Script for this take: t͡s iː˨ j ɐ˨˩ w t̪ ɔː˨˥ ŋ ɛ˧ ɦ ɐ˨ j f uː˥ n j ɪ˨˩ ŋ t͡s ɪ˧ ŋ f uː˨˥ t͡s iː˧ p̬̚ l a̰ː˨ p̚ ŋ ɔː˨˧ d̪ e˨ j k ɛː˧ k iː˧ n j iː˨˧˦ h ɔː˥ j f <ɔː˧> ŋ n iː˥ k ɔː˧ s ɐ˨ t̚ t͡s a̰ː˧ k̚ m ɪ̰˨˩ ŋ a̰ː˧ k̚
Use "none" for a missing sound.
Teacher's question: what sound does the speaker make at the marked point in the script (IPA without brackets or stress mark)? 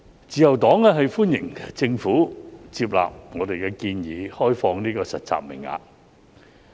ɔː˧